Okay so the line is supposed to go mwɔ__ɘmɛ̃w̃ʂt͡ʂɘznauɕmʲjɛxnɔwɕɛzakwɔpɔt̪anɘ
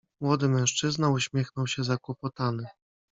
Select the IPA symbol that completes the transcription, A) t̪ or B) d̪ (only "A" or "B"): B